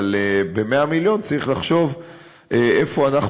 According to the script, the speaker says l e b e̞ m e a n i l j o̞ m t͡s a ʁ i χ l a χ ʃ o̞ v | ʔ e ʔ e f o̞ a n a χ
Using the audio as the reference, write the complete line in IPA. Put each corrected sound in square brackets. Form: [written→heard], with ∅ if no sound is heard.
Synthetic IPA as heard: l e b e̞ m e a [n→m] i l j o̞ [m→n] t͡s a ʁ i χ l a χ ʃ o̞ v | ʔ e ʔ e f o̞ a n a χ